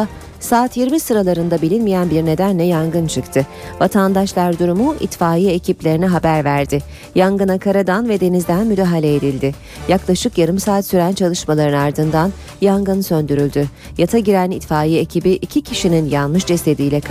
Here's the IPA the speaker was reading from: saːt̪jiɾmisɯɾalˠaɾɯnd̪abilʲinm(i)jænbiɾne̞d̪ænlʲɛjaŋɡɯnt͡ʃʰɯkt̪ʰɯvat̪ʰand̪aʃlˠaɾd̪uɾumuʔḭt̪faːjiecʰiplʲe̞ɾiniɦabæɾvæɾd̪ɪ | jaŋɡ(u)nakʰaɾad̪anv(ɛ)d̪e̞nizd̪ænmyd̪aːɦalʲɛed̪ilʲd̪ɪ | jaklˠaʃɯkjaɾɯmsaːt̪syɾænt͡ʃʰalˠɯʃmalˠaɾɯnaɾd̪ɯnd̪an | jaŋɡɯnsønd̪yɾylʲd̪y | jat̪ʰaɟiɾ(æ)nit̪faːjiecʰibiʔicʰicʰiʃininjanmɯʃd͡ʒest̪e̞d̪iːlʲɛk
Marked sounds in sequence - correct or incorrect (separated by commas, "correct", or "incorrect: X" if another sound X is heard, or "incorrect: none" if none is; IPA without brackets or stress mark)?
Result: correct, incorrect: ɯ, correct, correct